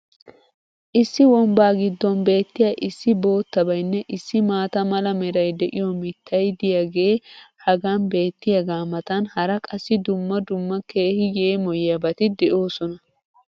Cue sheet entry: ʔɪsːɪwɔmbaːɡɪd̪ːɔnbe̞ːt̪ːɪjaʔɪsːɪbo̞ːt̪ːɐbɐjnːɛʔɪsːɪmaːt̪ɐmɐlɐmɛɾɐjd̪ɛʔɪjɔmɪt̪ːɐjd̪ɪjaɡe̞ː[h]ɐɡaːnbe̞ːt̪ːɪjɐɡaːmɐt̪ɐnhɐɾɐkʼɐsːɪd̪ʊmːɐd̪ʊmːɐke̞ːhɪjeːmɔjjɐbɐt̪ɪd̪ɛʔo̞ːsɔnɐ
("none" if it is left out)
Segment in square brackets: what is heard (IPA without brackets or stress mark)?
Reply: h